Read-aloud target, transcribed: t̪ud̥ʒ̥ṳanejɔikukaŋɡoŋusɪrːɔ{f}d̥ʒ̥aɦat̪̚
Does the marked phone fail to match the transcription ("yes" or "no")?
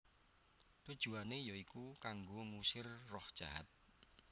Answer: yes